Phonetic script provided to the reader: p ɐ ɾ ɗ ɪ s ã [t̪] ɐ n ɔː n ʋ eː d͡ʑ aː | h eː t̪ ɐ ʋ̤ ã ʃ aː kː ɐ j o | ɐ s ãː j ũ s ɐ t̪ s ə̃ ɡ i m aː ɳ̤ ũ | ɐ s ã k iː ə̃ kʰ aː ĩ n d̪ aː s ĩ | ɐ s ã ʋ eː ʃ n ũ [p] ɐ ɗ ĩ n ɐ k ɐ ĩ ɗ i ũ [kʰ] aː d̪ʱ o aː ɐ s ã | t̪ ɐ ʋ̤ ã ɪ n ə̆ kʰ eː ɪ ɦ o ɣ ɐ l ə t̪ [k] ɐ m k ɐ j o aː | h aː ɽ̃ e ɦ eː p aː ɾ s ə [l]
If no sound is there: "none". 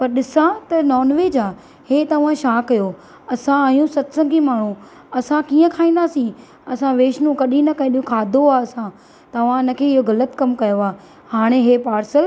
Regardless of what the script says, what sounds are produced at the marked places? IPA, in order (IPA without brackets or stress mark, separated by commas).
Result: t̪, k, kʰ, k, l